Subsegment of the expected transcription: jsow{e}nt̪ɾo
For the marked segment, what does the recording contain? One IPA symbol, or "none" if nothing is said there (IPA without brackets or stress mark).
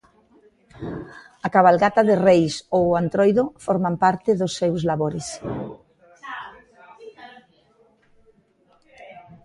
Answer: a